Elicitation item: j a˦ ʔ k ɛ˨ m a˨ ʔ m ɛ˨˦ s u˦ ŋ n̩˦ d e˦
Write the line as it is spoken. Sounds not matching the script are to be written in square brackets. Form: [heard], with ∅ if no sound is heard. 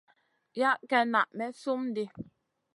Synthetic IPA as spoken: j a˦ ʔ k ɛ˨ [n] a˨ ʔ m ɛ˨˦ s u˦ [m] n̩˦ d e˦